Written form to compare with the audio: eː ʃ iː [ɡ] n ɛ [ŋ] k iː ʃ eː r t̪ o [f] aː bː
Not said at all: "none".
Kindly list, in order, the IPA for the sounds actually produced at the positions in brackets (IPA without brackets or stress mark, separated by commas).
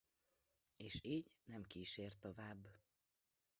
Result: ɟ, m, v